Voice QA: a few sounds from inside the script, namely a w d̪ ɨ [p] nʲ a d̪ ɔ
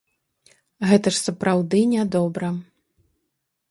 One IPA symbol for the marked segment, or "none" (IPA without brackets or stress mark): none